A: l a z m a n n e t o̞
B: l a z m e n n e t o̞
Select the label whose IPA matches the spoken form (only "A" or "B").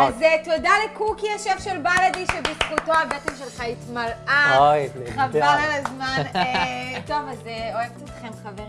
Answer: A